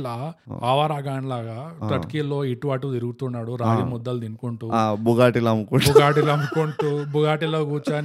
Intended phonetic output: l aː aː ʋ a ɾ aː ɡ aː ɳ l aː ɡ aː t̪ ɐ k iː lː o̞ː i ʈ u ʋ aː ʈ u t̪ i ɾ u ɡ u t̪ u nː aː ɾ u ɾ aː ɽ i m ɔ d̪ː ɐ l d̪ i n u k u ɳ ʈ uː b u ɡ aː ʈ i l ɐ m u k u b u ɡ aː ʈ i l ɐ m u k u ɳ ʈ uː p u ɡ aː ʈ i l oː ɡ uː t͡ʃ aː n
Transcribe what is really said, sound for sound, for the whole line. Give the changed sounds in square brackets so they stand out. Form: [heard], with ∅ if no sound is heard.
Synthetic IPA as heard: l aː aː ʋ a ɾ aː ɡ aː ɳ l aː ɡ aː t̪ ɐ k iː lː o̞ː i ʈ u ʋ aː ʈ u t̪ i ɾ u ɡ u t̪ u nː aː [ɽ] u ɾ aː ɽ i m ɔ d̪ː ɐ l d̪ i n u k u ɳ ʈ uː b u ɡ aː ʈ i l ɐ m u k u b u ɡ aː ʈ i l ɐ m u k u ɳ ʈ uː [b] u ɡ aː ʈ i l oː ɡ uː t͡ʃ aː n